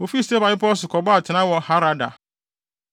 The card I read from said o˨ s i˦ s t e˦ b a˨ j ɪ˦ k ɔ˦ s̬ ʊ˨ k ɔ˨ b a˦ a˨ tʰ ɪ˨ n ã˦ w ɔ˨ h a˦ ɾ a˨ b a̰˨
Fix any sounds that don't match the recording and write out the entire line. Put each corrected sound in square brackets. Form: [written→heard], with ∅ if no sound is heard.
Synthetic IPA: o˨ [s→f] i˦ s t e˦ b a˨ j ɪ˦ [k→p] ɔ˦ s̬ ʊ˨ k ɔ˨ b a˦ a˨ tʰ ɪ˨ n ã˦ w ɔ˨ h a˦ ɾ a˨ [b→d] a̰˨

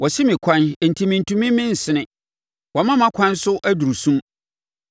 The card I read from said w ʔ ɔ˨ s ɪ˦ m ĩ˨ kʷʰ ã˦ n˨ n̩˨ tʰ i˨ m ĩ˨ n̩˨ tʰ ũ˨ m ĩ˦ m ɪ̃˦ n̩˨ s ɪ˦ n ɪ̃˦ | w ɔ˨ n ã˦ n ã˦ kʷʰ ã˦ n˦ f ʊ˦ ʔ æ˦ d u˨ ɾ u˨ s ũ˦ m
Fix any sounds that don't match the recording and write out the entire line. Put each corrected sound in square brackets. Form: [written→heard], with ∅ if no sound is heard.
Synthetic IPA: w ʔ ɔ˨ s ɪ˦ m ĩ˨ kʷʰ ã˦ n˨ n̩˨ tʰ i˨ m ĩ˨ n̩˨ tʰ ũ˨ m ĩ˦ m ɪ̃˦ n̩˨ s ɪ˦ n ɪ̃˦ | w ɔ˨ [n→m] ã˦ [n→m] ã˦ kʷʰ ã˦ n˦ [f→s] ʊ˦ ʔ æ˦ d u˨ ɾ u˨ s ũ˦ m

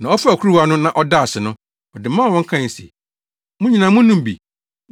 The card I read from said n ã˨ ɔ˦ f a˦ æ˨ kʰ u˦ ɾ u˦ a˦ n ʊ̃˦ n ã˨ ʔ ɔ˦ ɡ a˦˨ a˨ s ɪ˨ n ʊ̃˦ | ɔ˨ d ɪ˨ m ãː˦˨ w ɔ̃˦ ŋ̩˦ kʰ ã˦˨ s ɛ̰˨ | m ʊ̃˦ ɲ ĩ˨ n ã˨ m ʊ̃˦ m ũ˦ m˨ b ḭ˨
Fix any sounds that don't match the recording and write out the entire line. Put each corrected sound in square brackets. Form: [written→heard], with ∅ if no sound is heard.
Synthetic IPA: n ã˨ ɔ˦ f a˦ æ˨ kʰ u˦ ɾ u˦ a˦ n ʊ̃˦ n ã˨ ʔ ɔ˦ [ɡ→d] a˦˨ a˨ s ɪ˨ n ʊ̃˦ | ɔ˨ d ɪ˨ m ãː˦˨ w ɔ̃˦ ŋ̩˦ kʰ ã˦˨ s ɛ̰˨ | m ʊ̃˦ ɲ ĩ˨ n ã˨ m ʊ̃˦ [m→n] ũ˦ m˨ b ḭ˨

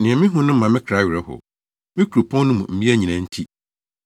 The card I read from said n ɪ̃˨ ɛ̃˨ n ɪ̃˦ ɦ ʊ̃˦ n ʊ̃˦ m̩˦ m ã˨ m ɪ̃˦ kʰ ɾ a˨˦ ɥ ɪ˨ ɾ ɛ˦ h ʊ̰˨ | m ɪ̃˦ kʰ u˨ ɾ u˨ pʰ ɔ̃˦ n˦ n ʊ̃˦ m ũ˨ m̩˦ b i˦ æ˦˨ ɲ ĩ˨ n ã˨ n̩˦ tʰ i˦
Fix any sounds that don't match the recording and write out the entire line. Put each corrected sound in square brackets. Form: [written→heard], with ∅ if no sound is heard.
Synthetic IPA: n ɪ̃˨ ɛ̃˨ [n→m] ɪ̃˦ ɦ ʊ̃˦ n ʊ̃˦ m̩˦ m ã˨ m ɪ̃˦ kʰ ɾ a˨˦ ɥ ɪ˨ ɾ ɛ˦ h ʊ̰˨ | m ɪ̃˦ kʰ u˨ ɾ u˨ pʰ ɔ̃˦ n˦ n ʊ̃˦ m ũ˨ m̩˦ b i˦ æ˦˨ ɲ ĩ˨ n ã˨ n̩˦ tʰ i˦

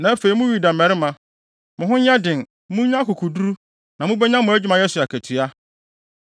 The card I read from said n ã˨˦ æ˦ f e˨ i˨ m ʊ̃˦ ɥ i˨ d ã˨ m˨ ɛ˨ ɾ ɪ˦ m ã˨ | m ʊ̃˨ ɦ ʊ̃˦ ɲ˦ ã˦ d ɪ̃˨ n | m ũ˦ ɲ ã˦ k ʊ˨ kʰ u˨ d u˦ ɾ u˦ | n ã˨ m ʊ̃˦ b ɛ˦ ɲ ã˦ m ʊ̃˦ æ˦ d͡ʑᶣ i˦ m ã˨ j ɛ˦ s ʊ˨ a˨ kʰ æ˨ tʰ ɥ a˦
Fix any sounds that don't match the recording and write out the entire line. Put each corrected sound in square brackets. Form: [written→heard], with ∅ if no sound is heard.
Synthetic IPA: n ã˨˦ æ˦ f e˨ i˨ m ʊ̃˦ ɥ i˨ d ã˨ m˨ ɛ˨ ɾ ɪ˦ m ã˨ | m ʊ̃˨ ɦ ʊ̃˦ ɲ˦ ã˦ d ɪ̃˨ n | m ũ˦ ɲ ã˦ k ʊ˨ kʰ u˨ d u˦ ɾ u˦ | n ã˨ m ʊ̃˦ b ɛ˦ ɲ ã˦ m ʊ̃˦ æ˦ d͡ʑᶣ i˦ m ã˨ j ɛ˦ s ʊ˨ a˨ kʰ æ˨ tʰ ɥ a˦

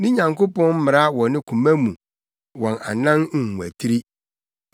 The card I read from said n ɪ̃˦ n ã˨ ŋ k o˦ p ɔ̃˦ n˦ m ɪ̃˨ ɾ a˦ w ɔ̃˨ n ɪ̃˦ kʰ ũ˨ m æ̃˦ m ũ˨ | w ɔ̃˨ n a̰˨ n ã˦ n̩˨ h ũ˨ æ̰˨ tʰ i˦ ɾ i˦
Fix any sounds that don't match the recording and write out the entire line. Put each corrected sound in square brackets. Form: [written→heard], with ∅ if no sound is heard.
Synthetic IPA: n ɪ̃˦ [n→ɲ] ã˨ ŋ k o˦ p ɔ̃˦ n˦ m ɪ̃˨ ɾ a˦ w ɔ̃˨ n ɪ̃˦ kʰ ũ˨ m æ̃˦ m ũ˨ | w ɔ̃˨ n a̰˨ n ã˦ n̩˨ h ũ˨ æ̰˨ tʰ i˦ ɾ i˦

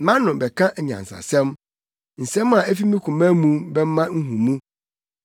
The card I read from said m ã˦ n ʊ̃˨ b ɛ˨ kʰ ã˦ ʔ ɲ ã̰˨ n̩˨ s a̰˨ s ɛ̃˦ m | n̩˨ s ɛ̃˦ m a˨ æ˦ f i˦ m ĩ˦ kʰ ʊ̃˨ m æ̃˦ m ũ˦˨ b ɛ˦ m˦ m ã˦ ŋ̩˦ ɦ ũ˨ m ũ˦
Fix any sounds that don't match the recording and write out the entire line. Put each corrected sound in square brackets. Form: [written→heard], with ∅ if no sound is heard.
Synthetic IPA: m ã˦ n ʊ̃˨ b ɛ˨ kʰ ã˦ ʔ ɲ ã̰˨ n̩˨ s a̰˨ s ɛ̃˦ m | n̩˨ s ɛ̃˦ m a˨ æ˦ f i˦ m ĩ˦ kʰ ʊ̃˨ m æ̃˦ m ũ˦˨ b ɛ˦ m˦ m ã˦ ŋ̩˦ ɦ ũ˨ m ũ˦

